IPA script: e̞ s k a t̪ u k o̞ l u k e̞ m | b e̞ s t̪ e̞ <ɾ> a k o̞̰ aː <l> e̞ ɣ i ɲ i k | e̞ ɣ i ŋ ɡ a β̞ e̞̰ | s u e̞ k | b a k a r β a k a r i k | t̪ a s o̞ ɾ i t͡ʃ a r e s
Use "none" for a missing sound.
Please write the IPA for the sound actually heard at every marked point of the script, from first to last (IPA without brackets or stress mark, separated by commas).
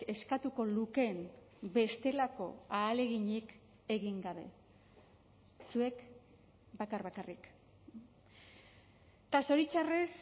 l, l